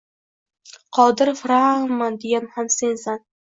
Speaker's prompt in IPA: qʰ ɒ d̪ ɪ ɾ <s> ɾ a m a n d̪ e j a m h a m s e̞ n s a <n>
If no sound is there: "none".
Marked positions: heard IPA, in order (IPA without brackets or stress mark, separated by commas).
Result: f, n